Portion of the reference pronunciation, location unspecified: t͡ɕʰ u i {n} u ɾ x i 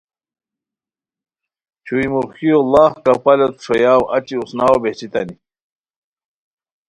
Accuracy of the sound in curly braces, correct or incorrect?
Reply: incorrect